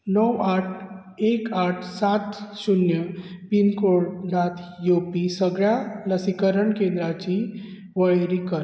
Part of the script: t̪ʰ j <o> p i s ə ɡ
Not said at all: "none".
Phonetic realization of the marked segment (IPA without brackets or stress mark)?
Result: o